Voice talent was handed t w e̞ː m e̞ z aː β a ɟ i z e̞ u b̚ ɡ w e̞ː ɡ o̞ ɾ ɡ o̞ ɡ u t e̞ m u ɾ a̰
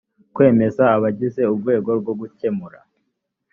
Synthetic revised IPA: k w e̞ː m e̞ z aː β a ɟ i z e̞ u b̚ ɡ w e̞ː ɡ o̞ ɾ ɡ o̞ ɡ u c e̞ m u ɾ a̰